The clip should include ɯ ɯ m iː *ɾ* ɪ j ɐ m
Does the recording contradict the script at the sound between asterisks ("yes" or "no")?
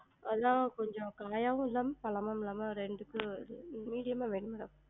yes